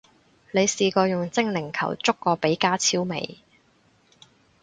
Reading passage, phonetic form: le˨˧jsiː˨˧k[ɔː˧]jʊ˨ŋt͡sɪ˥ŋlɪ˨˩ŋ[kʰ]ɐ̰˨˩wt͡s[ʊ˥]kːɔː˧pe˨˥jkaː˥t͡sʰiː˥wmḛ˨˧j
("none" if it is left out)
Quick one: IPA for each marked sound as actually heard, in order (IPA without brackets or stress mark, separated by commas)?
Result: ɔː˧, kʰ, ʊ˥